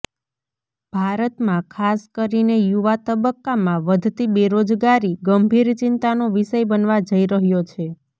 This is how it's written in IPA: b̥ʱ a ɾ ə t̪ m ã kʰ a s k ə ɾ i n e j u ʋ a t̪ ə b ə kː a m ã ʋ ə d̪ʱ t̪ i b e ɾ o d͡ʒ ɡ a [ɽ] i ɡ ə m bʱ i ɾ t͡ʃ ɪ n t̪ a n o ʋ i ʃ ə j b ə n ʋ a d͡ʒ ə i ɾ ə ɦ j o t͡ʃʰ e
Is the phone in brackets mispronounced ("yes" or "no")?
yes